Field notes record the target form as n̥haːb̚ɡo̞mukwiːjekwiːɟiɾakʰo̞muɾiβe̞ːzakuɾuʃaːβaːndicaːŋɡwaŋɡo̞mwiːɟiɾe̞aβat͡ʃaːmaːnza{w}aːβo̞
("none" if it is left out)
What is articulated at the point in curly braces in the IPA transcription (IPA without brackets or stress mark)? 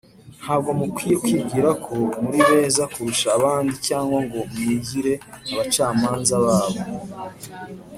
β